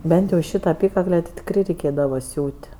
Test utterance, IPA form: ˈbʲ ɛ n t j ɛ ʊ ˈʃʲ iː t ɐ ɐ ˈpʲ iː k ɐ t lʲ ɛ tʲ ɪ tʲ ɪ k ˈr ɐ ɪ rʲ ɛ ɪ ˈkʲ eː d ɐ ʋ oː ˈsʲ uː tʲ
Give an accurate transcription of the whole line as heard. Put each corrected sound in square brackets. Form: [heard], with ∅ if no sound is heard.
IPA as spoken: ˈbʲ ɛ n t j ɛ ʊ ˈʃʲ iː t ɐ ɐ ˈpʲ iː k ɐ [k] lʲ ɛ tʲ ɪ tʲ ɪ k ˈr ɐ ɪ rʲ ɛ ɪ ˈkʲ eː d ɐ ʋ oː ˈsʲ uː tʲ